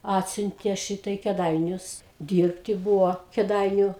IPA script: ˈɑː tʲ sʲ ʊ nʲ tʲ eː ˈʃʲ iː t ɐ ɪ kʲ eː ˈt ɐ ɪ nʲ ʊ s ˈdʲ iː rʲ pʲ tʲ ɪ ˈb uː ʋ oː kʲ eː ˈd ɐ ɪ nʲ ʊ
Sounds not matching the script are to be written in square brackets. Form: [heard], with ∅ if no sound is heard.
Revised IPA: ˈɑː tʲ sʲ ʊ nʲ tʲ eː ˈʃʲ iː t ɐ ɪ kʲ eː [ˈd] ɐ ɪ nʲ ʊ s ˈdʲ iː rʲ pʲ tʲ ɪ ˈb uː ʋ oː kʲ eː ˈd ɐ ɪ nʲ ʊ